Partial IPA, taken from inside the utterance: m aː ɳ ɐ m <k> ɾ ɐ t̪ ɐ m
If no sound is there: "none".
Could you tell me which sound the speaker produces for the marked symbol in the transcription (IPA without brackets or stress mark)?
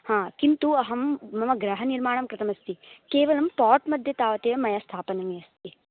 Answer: k